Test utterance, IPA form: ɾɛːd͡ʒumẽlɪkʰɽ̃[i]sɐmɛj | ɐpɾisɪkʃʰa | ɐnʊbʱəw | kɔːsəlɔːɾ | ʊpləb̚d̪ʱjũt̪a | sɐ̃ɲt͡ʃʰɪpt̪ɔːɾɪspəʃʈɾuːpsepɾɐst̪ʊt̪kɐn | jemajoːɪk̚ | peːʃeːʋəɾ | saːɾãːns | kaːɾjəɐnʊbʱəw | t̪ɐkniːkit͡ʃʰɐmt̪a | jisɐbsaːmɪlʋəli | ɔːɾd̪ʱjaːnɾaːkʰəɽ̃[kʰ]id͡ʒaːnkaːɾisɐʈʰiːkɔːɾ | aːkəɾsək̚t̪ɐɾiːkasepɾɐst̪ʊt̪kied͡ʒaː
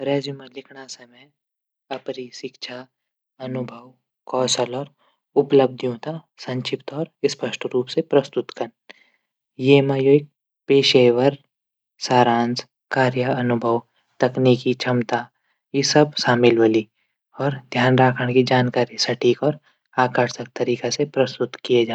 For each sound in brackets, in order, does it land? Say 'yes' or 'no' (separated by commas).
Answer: no, no